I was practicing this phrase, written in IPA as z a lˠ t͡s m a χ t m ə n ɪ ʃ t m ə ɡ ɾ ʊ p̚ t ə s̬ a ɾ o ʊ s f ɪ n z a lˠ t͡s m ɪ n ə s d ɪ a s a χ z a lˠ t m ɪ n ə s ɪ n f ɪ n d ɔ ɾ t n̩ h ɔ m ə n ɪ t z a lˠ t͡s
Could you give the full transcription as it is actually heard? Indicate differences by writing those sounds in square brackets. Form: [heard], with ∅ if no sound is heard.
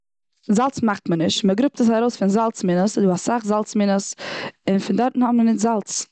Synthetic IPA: z a lˠ t͡s m a χ t m ə n ɪ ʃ t m ə ɡ ɾ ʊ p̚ t ə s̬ a ɾ o ʊ s f ɪ n z a lˠ t͡s m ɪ n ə s d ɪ a s a χ z a lˠ [t͡s] m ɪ n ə s ɪ n f ɪ n d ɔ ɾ t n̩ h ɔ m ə n ɪ t z a lˠ t͡s

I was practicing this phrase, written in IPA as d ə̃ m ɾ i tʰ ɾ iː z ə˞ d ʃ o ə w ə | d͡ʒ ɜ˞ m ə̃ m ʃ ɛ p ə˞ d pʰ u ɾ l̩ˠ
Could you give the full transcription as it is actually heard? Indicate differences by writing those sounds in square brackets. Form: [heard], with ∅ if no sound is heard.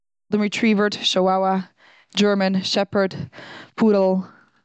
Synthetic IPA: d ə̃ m [ɹ] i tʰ [ɹ] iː [v] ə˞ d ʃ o [a] w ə | d͡ʒ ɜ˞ m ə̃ [n] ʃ ɛ p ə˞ d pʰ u ɾ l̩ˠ

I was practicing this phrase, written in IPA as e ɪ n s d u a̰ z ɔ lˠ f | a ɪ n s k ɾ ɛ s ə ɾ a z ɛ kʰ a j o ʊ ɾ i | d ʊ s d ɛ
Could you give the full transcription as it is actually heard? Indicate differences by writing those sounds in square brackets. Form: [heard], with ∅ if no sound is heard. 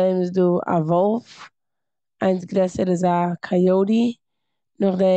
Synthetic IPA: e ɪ [m] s d u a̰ [v] ɔ lˠ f | a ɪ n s [ɡ] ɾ ɛ s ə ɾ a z [a] kʰ a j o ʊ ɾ i | [n] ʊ [χ] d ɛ

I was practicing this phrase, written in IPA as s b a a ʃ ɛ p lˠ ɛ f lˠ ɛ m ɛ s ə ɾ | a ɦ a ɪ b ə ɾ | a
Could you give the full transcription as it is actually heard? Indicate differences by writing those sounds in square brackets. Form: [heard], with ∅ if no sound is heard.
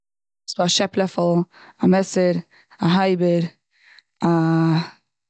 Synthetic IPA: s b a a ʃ ɛ p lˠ ɛ f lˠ [a] m ɛ s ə ɾ | a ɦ a ɪ b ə ɾ | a

